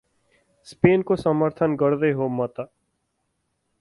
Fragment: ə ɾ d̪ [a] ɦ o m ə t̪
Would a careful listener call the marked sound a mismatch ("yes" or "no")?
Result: yes